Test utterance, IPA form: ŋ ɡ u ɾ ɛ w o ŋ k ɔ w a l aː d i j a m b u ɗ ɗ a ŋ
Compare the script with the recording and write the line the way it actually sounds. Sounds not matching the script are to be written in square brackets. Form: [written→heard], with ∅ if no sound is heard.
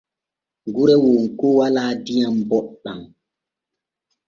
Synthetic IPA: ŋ ɡ u ɾ ɛ w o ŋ k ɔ w a l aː d i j a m b [u→ɔ] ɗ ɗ a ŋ